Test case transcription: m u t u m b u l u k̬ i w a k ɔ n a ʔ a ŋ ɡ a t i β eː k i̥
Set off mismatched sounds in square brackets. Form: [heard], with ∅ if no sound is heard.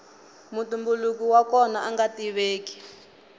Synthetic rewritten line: m u t u m b u l u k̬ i w a k ɔ n a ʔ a ŋ ɡ a t i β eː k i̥